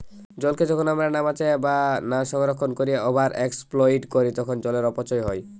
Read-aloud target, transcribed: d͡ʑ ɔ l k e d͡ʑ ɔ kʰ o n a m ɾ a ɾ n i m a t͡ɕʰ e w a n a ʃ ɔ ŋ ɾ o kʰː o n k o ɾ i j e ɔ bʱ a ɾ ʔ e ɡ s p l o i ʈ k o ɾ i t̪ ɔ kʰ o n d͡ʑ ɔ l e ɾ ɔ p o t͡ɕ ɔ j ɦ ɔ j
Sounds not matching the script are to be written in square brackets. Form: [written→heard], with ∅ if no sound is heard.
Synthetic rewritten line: d͡ʑ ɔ l k e d͡ʑ ɔ kʰ o n a m ɾ a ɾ n [i→a] m a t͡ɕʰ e [w→b] a n a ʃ ɔ ŋ ɾ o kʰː o n k o ɾ i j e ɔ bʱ a ɾ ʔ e [ɡ→k] s p l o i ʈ k o ɾ i t̪ ɔ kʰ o n d͡ʑ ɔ l e ɾ ɔ p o t͡ɕ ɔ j ɦ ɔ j